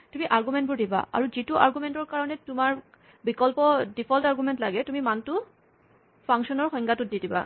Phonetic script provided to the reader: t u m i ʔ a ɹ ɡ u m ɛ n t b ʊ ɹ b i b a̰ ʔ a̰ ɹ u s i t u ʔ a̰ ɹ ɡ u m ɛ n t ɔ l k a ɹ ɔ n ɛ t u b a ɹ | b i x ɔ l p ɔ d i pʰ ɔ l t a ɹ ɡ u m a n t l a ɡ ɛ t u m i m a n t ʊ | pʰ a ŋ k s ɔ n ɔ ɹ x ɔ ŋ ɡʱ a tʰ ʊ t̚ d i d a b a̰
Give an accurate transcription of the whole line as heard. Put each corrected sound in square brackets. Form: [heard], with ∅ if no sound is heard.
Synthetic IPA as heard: t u m i ʔ a ɹ ɡ u m ɛ n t b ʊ ɹ [d] i b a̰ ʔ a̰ ɹ u [z] i t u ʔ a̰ ɹ ɡ u m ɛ n t ɔ [ɹ] k a ɹ ɔ n ɛ t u [m] a ɹ | b i [k] ɔ l p ɔ d i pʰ ɔ l t a ɹ ɡ u m [ɛ] n t l a ɡ ɛ t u m i m a n t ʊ | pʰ a ŋ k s ɔ n ɔ ɹ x ɔ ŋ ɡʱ a [t] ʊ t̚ d i d [i] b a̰